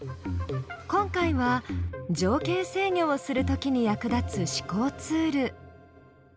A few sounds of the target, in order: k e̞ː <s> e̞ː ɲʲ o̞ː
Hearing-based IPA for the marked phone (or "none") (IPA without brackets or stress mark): s